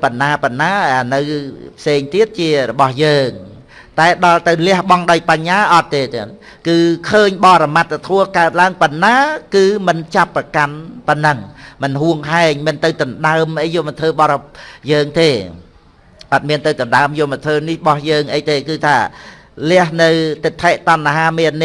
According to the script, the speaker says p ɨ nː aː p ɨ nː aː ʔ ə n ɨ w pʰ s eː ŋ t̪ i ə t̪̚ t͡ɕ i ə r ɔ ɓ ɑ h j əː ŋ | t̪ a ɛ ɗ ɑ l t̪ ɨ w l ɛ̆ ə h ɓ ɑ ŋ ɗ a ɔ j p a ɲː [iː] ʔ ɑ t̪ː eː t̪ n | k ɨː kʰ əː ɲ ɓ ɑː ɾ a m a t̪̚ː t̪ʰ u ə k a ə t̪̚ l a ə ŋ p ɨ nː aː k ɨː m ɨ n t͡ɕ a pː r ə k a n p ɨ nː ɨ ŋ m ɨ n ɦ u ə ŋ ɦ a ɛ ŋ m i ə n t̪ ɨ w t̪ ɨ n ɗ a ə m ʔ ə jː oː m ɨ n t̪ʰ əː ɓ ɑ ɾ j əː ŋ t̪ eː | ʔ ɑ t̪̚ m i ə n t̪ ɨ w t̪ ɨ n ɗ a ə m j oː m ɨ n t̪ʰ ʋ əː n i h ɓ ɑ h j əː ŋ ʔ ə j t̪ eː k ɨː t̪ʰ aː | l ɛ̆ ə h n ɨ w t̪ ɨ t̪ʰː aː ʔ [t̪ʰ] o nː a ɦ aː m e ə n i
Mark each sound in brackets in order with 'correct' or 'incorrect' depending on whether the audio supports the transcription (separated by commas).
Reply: incorrect, incorrect